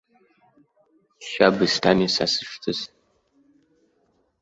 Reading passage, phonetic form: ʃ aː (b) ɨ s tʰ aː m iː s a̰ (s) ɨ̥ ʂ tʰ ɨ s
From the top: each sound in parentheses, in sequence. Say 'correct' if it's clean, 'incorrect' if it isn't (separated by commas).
correct, correct